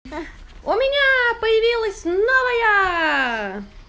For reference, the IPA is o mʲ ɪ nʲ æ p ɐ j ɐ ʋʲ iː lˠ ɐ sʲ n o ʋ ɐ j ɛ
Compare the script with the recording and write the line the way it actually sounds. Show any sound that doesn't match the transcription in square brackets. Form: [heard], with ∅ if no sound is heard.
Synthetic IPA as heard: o mʲ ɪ nʲ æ p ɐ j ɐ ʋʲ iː lˠ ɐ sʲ n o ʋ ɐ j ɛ